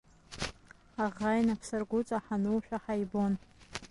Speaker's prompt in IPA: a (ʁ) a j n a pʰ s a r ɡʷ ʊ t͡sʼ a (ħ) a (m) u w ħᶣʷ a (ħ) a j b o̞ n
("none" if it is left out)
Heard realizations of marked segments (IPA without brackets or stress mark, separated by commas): ʁ, ħ, n, ħ